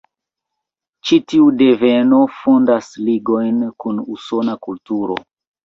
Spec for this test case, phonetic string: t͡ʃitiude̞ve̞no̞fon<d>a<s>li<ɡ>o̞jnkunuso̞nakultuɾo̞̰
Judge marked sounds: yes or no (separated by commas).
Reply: yes, yes, yes